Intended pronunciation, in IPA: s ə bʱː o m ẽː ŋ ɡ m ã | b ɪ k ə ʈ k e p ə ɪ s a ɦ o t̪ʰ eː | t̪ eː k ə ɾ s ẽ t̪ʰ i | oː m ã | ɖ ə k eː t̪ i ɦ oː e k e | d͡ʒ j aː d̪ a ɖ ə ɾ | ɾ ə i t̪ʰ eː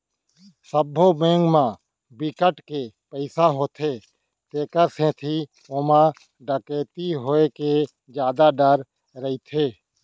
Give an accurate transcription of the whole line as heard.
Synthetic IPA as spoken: s ə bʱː o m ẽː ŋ ɡ m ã | b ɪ k ə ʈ k e p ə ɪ s a ɦ o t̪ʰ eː | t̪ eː k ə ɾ s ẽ t̪ʰ i | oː m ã | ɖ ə k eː t̪ i ɦ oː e k e | d͡ʒ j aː d̪ a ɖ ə ɾ | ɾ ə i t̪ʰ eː